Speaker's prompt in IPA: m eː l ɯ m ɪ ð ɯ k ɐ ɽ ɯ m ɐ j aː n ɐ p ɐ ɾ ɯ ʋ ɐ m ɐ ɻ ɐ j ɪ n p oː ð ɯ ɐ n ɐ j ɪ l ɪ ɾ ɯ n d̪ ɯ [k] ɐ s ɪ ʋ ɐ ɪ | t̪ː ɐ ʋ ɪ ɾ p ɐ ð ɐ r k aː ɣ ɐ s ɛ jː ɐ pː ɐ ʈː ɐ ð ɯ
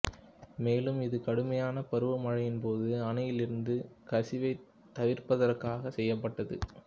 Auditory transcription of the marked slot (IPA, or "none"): k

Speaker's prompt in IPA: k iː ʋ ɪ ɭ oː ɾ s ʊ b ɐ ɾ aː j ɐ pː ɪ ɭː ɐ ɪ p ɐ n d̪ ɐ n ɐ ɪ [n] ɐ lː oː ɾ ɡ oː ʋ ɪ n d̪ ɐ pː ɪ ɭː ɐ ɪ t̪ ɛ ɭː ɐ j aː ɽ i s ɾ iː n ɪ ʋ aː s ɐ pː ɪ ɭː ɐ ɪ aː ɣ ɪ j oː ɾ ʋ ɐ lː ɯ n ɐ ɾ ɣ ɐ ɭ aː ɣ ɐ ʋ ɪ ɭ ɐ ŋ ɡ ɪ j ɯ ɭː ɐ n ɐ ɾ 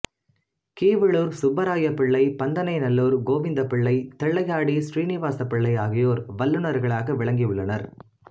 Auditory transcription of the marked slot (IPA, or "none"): n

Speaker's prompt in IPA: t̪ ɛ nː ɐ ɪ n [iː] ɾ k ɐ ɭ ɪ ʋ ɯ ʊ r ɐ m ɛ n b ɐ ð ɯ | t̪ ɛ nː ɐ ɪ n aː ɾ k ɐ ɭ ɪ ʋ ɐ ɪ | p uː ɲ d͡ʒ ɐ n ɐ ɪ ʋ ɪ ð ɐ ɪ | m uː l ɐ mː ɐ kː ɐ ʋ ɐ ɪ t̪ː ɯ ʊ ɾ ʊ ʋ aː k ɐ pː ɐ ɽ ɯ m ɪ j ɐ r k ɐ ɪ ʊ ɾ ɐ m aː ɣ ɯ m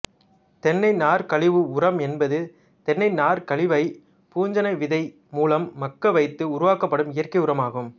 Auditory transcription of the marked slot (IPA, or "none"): aː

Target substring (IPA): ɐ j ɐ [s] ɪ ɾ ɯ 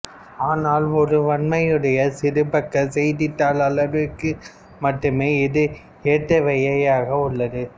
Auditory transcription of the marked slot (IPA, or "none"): s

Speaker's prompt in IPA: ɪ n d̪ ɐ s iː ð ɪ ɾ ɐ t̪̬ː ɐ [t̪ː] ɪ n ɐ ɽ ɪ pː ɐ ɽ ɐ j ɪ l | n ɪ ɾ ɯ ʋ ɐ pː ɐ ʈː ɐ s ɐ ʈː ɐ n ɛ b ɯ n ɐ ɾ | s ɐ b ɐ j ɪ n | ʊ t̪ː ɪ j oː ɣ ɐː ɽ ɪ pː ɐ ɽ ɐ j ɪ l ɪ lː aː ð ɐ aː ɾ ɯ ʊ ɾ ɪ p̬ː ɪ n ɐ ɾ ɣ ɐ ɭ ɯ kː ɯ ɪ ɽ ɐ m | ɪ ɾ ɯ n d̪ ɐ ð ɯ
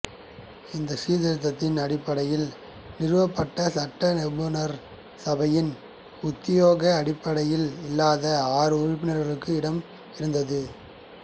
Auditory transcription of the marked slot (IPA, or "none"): t̪ː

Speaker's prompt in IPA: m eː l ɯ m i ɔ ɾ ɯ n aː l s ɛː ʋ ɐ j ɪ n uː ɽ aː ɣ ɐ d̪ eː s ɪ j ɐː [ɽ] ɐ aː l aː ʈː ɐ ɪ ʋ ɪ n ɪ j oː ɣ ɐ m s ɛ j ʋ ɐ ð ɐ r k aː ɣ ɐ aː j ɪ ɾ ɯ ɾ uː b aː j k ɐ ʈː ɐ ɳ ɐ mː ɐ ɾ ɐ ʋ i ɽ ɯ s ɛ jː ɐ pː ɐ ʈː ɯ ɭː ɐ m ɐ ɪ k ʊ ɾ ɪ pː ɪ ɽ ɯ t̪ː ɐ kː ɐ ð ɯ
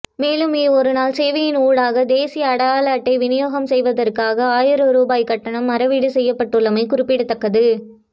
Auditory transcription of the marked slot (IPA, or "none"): ɽ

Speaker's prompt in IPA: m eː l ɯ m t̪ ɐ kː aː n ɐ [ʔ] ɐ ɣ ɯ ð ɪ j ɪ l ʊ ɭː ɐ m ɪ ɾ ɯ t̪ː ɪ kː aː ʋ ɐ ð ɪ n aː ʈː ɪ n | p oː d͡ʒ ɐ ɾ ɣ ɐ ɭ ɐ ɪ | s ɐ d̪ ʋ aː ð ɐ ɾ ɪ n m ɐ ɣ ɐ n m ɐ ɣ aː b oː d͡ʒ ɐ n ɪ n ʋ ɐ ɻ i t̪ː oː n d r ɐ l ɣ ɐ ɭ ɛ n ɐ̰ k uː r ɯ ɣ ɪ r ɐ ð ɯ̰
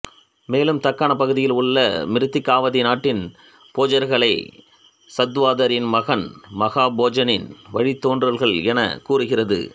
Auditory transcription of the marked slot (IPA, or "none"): p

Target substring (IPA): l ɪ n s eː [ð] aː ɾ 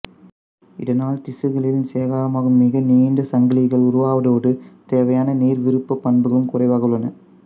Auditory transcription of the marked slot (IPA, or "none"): ɣ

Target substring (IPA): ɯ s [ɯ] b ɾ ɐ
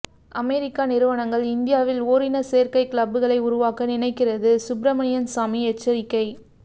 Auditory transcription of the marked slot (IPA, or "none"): ʊ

